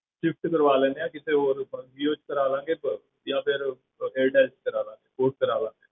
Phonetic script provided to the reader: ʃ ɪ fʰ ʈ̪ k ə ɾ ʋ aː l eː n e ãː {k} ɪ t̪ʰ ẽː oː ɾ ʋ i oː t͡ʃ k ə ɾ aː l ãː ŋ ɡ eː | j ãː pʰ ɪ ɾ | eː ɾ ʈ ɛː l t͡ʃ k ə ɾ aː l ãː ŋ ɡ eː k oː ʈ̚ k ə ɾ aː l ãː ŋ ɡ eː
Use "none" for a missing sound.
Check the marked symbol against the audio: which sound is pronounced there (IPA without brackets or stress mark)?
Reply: k